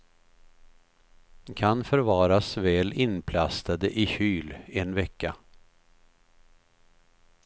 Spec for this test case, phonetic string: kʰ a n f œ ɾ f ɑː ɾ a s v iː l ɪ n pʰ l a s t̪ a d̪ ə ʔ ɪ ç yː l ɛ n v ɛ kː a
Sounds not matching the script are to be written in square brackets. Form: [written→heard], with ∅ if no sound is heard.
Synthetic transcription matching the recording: kʰ a n f œ ɾ [f→v] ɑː ɾ a s v [iː→ɛː] l ɪ n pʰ l a s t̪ a d̪ ə ʔ ɪ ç yː l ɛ n v ɛ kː a